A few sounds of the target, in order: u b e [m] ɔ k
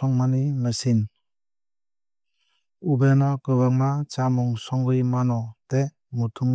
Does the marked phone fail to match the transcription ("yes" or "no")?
yes